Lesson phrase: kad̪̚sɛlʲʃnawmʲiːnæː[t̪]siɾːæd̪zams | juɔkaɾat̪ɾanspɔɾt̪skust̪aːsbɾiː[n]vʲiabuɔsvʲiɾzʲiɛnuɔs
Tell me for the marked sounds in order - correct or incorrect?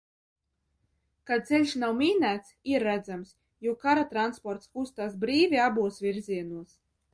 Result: correct, incorrect

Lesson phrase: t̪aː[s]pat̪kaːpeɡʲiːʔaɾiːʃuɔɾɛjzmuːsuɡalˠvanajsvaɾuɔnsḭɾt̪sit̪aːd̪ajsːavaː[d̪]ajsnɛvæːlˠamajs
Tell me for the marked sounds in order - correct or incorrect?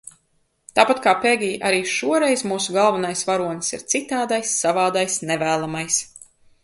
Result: incorrect, correct

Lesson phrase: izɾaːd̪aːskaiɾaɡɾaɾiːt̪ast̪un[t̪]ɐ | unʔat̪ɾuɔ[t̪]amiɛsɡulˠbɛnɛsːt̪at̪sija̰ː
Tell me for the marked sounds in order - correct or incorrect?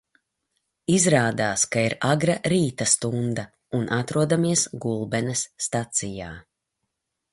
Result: incorrect, incorrect

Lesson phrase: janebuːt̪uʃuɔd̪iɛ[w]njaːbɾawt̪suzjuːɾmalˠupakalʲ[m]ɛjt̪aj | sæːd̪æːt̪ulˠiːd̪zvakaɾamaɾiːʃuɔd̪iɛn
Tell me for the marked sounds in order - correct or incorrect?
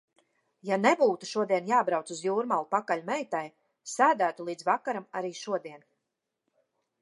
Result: incorrect, correct

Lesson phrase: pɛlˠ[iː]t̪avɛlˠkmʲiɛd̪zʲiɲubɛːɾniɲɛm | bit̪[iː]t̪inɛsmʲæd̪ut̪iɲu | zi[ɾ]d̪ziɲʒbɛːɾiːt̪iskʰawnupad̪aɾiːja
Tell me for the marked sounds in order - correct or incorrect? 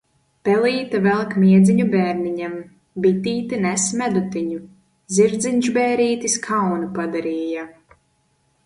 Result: correct, correct, correct

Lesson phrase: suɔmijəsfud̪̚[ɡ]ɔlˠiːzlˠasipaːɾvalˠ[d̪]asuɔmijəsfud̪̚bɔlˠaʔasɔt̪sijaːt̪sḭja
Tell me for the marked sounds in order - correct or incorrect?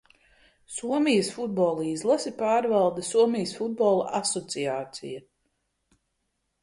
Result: incorrect, correct

